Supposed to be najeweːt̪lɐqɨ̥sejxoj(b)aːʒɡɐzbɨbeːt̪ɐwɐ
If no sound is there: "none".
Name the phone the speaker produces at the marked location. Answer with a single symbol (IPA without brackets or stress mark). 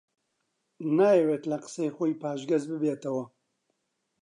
p